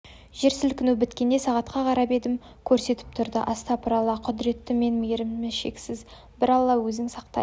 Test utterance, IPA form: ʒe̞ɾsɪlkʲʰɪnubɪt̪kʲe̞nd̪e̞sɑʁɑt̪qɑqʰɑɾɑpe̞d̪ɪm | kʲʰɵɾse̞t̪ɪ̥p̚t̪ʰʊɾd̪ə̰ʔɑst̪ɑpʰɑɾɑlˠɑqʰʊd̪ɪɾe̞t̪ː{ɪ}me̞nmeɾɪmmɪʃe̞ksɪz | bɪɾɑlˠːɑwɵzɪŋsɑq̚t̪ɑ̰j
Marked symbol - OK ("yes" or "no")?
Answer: yes